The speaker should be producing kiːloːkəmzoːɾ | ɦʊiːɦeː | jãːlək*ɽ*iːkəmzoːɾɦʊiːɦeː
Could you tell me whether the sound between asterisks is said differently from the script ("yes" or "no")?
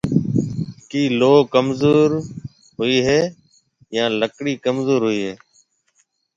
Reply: no